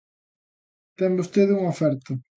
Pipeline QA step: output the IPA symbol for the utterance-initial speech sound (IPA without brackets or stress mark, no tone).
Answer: t̪